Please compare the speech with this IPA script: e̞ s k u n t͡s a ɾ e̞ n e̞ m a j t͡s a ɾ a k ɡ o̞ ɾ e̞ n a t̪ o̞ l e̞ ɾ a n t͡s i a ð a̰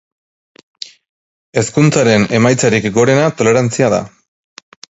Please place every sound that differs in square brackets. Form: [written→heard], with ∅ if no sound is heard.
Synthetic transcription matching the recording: e̞ s k u n t͡s a ɾ e̞ n e̞ m a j t͡s a ɾ [a→i] k ɡ o̞ ɾ e̞ n a t̪ o̞ l e̞ ɾ a n t͡s i a ð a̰